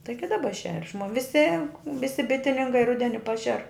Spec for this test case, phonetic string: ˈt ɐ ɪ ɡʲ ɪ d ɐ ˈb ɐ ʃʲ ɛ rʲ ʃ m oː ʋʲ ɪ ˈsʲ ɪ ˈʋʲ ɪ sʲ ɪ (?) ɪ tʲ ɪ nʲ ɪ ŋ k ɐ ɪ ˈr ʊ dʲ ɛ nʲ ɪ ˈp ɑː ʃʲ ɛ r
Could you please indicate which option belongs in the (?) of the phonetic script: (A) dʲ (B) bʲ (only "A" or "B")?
B